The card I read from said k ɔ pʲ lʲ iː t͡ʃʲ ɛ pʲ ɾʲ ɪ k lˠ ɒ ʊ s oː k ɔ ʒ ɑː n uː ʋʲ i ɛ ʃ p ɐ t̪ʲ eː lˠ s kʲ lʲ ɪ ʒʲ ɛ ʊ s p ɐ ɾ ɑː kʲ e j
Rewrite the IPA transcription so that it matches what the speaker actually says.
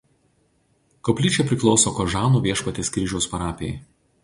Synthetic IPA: k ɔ pʲ lʲ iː t͡ʃʲ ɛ pʲ ɾʲ ɪ k lˠ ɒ ʊ s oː k ɔ ʒ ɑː n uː ʋʲ i ɛ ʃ p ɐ t̪ʲ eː s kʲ ɾʲ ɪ ʒʲ ɛ ʊ s p ɐ ɾ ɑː pʲ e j